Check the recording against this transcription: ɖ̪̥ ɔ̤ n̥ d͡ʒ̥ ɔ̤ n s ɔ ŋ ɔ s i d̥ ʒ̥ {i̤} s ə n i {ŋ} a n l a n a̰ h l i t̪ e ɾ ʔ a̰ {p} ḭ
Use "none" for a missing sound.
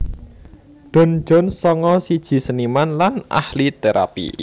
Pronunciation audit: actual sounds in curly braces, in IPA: i̤, m, p

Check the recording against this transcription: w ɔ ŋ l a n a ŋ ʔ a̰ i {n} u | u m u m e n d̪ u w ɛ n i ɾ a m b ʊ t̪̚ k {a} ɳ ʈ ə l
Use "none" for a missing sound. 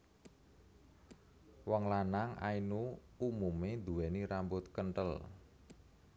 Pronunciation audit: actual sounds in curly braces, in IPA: n, ə

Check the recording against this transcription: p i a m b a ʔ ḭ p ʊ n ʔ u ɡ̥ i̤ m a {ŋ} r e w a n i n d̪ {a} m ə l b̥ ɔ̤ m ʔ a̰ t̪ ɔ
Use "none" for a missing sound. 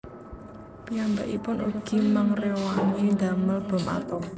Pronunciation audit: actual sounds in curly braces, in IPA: ŋ, a

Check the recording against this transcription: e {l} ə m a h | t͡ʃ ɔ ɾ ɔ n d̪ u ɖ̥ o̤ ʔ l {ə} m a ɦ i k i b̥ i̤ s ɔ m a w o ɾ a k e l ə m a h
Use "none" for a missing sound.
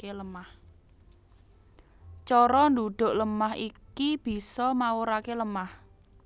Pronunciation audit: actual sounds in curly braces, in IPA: l, ə

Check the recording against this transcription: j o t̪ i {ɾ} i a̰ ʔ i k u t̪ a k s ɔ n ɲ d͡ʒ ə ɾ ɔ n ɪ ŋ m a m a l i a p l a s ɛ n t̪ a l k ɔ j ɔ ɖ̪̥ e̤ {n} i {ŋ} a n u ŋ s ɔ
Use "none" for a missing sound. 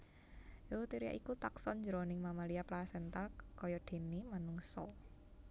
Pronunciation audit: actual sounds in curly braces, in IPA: ɾ, n, m

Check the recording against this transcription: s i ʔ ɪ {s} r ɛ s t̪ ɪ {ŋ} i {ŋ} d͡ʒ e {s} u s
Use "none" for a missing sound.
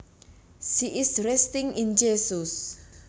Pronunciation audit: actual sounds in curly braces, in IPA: s, ŋ, n, s

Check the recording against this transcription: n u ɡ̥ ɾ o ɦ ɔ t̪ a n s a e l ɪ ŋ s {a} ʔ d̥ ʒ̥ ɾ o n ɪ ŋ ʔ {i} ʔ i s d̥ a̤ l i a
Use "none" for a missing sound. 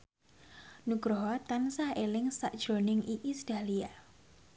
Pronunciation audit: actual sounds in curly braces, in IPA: a, i

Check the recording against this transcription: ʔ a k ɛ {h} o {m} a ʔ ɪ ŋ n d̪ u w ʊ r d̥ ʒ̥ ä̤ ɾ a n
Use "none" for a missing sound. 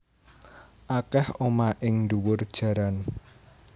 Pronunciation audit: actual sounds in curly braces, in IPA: h, m

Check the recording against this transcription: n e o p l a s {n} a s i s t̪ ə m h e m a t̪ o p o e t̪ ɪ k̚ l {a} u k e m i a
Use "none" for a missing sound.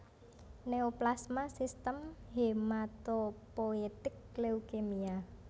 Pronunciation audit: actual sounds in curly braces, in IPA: m, e

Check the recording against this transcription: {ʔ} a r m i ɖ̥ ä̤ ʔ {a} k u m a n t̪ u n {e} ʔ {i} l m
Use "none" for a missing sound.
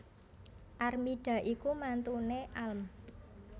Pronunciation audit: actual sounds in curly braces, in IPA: ʔ, i, e, a

